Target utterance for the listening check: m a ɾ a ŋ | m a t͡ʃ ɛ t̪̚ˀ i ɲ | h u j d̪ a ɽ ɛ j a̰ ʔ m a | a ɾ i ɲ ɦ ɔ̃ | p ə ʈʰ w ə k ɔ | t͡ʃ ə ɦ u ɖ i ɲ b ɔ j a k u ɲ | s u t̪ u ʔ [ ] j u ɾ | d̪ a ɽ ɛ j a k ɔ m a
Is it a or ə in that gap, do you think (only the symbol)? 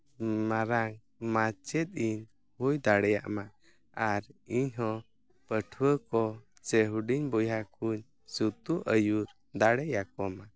ə